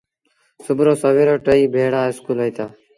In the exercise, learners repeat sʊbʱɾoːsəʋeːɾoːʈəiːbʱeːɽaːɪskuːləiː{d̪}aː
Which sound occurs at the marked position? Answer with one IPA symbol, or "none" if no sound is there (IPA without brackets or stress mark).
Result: t̪